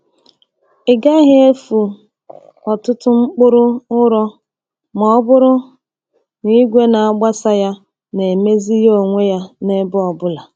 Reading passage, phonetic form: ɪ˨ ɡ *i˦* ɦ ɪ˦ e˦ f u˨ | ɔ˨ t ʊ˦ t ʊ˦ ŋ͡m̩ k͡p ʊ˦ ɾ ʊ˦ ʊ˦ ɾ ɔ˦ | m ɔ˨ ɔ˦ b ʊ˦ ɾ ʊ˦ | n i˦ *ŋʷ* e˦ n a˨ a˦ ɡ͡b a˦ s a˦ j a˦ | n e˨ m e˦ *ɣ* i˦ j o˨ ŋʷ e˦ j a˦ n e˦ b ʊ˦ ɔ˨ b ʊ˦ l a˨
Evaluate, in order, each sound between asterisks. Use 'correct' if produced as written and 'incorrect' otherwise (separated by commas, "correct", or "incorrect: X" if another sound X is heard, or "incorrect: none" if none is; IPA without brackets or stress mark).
incorrect: a˦, incorrect: ɡʷ, incorrect: z